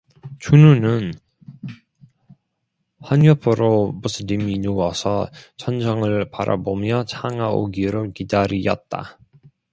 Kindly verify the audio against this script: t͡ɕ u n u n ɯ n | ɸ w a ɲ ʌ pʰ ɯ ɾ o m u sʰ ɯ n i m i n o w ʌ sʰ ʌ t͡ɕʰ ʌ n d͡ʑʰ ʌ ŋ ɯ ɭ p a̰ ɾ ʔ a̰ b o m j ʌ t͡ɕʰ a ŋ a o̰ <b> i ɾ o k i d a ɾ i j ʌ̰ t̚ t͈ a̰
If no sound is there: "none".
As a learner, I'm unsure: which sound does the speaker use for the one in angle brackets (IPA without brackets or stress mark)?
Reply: ɡ